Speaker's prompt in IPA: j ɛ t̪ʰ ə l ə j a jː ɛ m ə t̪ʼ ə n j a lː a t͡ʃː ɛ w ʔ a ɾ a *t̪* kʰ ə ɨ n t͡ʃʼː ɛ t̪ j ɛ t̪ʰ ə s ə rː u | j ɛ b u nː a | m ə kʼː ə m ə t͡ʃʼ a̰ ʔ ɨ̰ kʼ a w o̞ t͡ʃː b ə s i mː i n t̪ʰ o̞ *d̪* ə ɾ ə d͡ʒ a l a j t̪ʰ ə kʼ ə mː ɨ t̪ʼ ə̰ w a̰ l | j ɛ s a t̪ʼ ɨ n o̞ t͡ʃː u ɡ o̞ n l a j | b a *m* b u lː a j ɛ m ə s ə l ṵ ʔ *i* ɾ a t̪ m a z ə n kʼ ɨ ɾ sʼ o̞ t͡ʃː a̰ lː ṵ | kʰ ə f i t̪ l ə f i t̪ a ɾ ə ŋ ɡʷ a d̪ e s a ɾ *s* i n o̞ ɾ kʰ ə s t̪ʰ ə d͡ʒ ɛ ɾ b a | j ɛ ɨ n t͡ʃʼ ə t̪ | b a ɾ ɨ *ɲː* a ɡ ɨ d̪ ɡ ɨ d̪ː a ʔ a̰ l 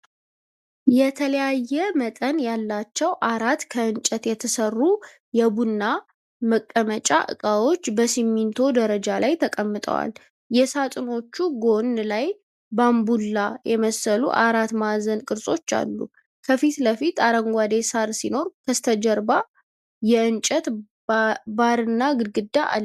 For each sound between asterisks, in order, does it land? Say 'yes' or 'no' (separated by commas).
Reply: yes, yes, yes, no, yes, no